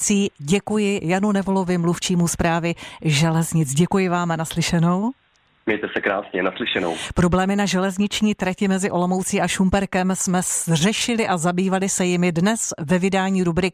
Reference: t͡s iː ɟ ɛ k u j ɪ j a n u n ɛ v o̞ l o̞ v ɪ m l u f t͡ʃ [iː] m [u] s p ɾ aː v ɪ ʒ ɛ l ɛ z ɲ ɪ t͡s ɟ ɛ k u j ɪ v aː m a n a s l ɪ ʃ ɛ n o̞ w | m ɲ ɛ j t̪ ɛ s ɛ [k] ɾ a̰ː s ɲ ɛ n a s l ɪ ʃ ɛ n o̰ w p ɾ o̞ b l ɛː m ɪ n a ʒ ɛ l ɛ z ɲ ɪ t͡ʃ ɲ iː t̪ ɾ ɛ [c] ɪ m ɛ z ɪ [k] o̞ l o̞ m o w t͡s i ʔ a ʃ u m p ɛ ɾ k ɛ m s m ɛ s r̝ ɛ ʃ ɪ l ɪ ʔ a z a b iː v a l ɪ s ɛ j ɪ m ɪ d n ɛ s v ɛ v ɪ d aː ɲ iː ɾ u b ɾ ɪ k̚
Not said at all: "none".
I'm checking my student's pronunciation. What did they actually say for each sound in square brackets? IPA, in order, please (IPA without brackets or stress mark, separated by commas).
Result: iː, u, k, c, ʔ